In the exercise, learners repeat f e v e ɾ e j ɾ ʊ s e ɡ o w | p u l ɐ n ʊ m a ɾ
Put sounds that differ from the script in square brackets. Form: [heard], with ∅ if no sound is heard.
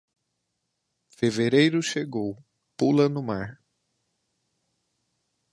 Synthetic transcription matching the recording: f e v e ɾ e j ɾ ʊ [ʃ] e ɡ o w | p u l ɐ n ʊ m a ɾ